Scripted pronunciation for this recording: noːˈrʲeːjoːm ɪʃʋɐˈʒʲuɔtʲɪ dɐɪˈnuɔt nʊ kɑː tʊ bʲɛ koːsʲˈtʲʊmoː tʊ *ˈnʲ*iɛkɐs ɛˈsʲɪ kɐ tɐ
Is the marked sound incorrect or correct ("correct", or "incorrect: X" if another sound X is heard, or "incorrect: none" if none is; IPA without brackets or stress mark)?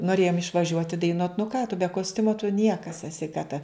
correct